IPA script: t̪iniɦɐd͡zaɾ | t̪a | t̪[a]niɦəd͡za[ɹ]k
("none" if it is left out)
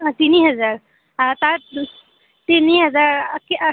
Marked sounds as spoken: i, ɾ

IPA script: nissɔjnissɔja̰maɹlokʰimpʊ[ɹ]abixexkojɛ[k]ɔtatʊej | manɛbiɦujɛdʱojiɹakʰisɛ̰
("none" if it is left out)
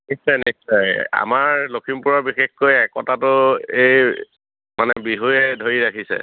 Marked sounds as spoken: ɹ, k

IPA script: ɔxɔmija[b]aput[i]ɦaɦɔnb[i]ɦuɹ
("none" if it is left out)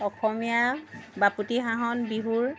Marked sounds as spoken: b, i, i

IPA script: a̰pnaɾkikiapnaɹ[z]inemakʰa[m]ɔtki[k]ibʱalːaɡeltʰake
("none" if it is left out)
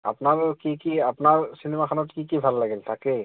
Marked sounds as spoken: s, n, k

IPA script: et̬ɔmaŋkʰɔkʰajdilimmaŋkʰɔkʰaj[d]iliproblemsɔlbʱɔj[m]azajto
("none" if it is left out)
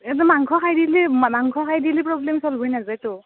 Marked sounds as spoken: d, n

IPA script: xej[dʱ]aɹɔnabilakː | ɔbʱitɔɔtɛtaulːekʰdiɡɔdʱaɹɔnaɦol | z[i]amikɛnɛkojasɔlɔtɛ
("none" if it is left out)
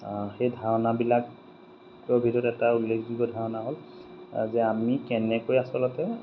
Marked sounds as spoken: dʱ, ɛ

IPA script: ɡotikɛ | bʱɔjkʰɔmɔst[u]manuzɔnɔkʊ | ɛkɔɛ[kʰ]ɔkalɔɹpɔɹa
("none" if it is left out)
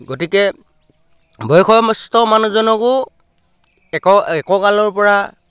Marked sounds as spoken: ɔ, k

